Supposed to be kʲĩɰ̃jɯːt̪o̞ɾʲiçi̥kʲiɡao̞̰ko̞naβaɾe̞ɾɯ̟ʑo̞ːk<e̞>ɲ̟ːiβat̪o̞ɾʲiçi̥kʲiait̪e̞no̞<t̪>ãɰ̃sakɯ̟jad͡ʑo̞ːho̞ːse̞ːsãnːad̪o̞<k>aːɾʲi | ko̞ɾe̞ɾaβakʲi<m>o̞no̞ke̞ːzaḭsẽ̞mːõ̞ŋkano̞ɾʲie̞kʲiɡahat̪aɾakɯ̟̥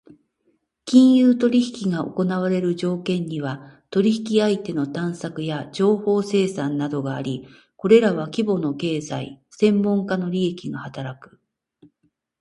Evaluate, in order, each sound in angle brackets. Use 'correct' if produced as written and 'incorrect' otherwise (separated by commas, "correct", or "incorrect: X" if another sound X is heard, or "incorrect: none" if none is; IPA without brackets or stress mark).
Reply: incorrect: ẽ̞, correct, incorrect: ɡ, incorrect: b